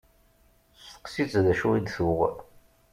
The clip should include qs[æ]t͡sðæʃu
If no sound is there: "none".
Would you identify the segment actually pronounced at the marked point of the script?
i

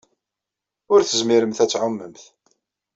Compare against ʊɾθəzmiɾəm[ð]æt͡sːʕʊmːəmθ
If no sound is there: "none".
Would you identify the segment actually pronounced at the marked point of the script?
θ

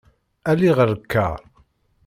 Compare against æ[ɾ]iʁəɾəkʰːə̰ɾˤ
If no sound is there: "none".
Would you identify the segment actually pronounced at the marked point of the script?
l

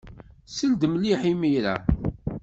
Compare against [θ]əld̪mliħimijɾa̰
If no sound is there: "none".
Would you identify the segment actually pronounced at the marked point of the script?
s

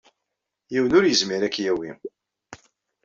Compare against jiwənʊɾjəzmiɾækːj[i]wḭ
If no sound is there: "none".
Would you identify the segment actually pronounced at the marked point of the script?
æ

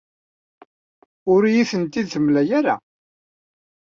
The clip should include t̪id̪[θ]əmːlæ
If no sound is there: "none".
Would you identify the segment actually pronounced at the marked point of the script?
θ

